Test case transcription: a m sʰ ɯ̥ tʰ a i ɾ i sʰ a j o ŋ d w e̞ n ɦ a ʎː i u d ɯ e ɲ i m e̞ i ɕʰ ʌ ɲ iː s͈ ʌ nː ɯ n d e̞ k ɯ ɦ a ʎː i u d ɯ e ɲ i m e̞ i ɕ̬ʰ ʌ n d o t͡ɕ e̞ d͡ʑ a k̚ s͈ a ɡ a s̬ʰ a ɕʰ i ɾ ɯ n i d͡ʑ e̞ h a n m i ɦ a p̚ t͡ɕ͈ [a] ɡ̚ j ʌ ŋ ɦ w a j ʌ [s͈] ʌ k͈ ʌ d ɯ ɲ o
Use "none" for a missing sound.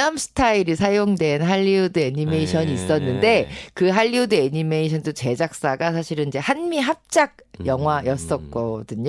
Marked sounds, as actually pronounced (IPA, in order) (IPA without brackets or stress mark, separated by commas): a, s͈